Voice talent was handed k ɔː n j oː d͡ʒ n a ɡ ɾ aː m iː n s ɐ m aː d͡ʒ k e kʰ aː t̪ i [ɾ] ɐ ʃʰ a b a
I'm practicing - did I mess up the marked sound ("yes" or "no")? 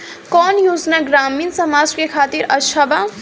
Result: no